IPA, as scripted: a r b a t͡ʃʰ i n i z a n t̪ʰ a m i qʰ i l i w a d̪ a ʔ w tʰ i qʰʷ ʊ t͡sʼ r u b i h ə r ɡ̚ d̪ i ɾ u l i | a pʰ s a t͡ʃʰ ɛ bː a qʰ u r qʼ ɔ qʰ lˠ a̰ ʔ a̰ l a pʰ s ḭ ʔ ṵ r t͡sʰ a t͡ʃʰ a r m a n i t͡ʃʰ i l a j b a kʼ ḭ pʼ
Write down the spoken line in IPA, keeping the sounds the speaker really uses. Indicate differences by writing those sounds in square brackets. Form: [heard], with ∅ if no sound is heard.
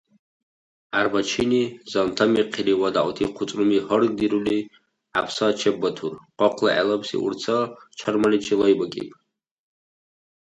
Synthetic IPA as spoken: a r b a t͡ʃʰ i n i z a n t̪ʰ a m i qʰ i l i w a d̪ a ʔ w tʰ i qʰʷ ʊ t͡sʼ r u [m] i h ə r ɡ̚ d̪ i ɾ u l i | a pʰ s a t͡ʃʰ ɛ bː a [tʰ] u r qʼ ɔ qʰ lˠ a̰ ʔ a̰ l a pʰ s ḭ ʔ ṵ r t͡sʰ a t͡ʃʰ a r m a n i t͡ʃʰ i l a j b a kʼ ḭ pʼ